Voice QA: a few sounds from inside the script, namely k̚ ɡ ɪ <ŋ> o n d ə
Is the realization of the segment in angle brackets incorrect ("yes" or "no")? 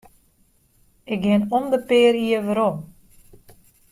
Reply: yes